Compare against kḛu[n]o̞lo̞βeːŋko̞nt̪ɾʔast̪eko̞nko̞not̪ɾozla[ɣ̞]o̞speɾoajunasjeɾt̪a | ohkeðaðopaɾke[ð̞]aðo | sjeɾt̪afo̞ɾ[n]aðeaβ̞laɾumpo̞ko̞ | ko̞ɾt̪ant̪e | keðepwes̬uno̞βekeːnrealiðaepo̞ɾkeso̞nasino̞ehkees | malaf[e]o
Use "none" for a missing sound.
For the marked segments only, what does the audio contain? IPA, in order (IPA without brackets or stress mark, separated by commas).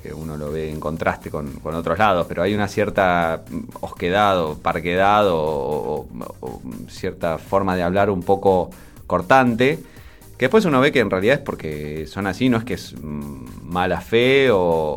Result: n, ð̞, ð̞, m, e